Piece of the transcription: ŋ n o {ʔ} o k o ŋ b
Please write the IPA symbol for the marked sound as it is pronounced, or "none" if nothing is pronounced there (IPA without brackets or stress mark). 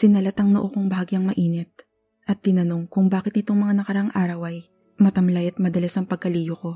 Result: ʔ